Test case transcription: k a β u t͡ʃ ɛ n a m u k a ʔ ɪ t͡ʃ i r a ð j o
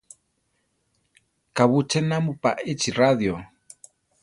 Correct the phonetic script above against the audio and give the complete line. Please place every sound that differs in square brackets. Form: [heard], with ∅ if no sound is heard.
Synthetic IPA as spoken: k a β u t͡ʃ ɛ n a m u [p] a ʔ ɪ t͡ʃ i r a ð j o